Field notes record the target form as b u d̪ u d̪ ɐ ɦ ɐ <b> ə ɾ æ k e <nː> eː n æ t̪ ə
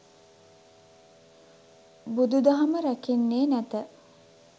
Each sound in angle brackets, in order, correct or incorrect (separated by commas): incorrect, correct